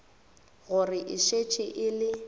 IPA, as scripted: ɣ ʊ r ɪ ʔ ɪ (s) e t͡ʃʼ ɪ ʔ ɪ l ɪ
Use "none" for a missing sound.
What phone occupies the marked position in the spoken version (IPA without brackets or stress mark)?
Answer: ʃ